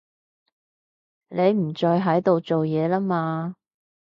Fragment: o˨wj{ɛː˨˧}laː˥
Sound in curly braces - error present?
no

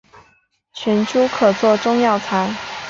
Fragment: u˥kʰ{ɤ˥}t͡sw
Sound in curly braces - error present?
yes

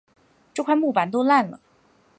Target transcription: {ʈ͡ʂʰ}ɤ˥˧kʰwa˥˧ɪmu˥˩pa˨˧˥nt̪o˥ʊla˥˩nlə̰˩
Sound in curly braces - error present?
yes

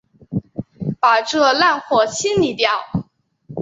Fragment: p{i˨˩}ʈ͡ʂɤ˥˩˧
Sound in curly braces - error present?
yes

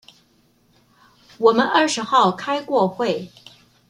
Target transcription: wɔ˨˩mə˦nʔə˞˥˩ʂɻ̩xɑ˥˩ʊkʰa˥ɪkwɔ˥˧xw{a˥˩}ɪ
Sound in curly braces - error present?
yes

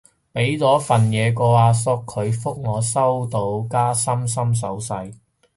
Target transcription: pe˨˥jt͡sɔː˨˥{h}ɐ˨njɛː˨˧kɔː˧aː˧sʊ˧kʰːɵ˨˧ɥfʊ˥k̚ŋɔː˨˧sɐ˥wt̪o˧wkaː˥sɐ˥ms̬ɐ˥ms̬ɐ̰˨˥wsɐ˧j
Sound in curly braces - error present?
yes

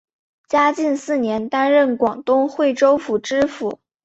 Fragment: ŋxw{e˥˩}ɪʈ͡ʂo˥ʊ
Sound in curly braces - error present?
no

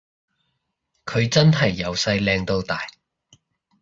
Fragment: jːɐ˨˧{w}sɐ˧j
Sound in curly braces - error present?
no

